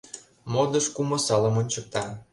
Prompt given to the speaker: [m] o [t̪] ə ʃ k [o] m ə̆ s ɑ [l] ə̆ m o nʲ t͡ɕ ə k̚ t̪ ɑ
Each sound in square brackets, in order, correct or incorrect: correct, incorrect: d̪, incorrect: u, correct

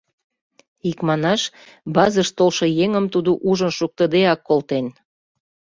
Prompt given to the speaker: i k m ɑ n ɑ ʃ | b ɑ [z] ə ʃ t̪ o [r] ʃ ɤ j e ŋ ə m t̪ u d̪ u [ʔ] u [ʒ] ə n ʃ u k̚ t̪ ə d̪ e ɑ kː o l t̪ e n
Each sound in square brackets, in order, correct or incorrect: correct, incorrect: l, correct, correct

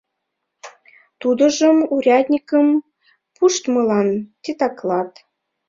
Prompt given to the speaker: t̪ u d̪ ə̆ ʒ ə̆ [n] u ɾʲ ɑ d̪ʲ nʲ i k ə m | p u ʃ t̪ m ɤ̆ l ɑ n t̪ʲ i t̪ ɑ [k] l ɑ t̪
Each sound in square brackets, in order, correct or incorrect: incorrect: m, correct

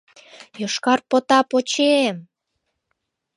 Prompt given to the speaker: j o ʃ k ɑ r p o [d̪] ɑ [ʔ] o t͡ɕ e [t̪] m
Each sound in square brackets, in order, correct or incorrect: incorrect: t̪, incorrect: p, incorrect: none

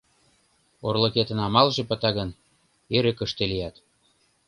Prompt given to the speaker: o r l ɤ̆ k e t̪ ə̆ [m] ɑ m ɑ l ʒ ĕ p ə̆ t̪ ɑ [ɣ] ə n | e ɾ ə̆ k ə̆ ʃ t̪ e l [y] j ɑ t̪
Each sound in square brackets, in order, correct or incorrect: incorrect: n, correct, incorrect: i

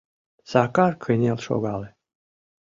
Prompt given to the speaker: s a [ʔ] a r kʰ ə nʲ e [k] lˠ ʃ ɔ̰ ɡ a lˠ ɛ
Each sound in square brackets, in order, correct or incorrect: incorrect: k, incorrect: none

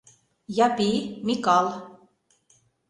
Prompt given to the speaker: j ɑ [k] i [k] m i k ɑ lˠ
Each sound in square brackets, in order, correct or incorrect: incorrect: p, incorrect: none

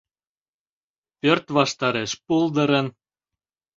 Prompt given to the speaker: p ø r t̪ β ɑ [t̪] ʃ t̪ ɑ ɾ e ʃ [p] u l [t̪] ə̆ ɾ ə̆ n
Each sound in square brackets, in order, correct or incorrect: incorrect: none, correct, incorrect: d̪

